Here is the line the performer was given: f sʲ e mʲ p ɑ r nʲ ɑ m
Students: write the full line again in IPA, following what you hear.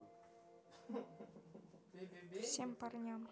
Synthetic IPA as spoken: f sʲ e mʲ p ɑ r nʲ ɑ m